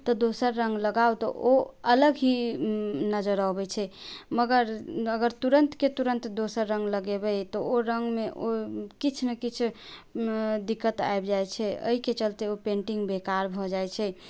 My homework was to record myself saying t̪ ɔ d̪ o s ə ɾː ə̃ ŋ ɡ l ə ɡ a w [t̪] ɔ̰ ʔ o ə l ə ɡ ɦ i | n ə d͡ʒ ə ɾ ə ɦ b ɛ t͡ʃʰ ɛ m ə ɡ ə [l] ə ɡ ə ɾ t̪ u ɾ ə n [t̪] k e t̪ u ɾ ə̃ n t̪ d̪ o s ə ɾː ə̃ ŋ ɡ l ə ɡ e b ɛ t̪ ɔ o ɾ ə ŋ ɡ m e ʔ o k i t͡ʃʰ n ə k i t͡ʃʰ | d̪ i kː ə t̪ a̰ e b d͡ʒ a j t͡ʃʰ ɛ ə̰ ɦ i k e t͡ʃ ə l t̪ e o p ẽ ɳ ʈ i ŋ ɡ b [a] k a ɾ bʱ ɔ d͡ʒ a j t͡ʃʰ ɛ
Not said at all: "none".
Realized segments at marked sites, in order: t̪, ɾ, t̪, e

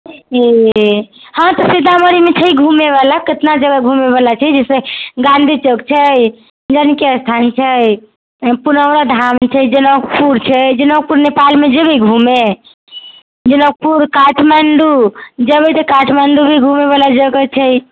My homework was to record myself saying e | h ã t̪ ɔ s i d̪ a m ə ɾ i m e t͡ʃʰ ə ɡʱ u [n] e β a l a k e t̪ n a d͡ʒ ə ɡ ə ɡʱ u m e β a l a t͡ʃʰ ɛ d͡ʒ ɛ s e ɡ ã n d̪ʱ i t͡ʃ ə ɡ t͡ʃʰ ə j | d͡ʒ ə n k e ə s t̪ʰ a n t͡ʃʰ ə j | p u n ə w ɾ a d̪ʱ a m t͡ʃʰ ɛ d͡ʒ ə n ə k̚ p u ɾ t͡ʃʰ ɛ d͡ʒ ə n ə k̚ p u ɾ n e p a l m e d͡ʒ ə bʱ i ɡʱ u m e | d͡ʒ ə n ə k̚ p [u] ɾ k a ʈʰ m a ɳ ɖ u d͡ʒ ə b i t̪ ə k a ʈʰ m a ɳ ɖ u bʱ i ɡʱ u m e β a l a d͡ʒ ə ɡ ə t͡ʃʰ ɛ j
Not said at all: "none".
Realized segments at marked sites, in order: m, u

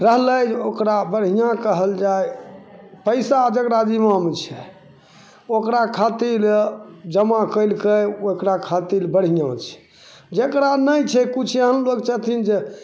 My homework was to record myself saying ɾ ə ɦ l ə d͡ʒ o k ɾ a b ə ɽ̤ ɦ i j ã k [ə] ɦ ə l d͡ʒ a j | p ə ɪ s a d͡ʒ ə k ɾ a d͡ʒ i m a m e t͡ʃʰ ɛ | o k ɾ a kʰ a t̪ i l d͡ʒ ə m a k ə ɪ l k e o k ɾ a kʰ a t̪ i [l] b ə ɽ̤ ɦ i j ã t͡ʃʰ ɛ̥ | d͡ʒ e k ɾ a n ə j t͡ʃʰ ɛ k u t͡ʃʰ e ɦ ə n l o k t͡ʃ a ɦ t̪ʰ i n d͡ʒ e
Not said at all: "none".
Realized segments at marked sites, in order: ə, l

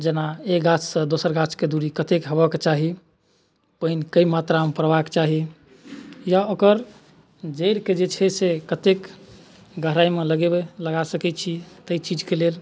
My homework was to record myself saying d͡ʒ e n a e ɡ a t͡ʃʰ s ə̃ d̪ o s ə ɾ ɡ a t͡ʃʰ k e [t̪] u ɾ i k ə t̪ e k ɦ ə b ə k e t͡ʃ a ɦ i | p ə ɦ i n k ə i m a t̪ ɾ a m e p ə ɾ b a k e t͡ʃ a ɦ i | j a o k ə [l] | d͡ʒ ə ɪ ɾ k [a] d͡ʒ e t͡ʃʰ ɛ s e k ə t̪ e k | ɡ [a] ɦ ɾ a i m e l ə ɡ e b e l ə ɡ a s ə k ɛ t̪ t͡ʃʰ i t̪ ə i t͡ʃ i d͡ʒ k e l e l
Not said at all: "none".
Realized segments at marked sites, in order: d̪, ɾ, e, ə

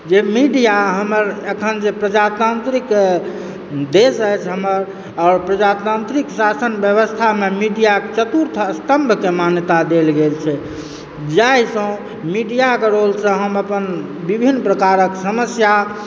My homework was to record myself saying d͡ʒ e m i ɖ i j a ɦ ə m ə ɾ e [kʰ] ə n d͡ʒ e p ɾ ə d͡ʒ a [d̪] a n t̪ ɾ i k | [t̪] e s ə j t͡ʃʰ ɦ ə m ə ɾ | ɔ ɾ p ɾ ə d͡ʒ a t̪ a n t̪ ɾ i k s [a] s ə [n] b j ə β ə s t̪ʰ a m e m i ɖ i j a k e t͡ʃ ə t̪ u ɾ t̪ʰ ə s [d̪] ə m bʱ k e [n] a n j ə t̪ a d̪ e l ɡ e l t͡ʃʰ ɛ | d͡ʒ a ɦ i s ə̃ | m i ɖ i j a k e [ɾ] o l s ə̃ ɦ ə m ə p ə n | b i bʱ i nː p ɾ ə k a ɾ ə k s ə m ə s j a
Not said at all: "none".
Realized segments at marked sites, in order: kʰ, t̪, d̪, a, n, t̪, m, ɾ

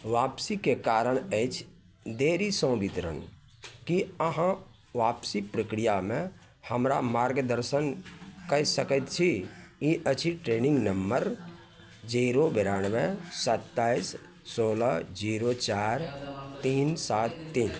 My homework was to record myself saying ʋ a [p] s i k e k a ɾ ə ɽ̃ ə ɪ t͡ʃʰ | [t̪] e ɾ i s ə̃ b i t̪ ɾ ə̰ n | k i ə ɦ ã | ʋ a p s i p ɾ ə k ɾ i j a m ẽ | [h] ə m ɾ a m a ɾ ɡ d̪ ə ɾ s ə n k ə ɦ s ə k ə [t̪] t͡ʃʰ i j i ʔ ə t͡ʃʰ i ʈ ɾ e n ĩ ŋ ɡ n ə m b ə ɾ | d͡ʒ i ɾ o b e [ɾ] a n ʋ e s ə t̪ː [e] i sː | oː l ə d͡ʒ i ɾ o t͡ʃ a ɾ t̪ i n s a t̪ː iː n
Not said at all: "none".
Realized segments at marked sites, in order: p, d̪, h, t̪, ɾ, a

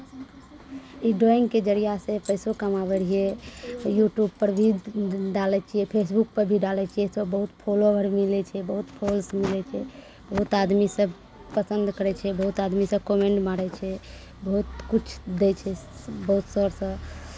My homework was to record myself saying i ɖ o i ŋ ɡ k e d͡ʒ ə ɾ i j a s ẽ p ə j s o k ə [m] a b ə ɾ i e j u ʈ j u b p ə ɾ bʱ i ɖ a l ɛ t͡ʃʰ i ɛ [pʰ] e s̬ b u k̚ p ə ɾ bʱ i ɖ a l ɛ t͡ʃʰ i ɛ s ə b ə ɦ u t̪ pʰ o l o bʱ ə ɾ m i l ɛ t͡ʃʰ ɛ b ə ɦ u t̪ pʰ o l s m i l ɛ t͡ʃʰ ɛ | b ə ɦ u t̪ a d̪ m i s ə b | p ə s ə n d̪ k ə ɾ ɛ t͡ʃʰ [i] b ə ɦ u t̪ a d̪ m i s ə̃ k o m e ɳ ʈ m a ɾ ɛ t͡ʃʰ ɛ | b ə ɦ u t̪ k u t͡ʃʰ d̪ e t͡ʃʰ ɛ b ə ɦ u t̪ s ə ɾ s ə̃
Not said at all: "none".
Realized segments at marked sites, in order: m, pʰ, ɛ

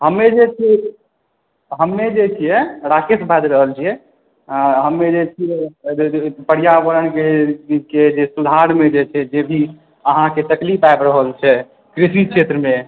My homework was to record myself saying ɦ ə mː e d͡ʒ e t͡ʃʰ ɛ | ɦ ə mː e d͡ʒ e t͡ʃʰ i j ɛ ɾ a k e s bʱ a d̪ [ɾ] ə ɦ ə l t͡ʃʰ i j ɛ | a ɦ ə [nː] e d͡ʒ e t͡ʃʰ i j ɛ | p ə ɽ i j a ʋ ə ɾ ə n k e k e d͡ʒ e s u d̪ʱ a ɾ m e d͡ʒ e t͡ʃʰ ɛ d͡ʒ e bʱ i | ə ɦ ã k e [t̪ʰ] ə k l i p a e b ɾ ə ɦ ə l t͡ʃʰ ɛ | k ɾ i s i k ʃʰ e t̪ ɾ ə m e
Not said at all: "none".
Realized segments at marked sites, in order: ɾ, mː, t̪

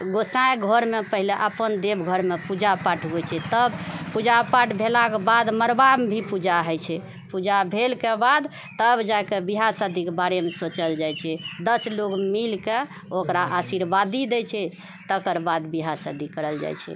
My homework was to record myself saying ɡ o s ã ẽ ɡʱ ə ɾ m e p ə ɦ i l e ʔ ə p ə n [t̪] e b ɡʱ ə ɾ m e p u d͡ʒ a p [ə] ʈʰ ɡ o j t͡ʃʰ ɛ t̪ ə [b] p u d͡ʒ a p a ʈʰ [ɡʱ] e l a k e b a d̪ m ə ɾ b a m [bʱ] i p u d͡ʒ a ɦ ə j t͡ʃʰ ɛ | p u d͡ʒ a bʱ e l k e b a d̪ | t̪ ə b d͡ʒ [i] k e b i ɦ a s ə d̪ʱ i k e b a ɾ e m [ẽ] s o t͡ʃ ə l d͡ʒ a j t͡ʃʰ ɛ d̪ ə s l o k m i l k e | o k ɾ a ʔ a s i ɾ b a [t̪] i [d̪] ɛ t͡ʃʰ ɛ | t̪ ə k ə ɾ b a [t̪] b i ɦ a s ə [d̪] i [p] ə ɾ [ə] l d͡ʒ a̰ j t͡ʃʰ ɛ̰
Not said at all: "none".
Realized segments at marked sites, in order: d̪, a, b, bʱ, bʱ, a, e, d̪, d̪, d̪, d̪, k, ə

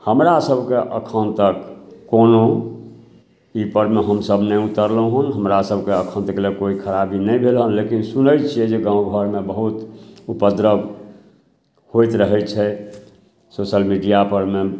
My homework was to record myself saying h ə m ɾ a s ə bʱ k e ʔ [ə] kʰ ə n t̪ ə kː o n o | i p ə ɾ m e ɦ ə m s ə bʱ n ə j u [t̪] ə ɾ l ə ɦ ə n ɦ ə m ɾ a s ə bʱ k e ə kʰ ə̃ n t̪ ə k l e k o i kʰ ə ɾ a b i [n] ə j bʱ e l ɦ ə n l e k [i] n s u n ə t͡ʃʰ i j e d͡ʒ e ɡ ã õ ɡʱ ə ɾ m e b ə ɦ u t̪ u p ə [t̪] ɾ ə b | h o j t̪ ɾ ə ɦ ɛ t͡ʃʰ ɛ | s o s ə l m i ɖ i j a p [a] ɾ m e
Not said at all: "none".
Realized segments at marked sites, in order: ə, t̪, n, i, d̪, ə

